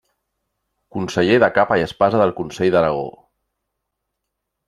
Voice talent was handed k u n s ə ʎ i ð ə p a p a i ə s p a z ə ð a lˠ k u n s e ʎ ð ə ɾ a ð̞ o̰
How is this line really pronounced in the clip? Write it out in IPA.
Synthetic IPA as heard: k u n s ə ʎ e ð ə k a p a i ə s p a z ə ð ə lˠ k u n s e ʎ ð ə ɾ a ɣ̞ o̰